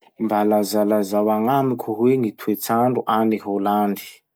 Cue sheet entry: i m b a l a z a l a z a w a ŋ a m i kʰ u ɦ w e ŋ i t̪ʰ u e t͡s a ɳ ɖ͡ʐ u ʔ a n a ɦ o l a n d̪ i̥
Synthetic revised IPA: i m b a l a z a l a z a w a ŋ a m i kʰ u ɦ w e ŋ i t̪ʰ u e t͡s a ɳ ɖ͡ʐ u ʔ a n i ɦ o l a n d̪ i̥

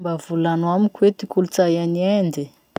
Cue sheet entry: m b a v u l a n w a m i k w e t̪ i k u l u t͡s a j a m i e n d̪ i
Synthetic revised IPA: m b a v u l a n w a m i k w e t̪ i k u l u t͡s a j a n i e n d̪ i

